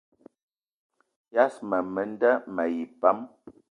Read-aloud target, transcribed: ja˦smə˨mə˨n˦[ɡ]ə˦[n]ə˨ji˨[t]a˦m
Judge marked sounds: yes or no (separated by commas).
no, no, no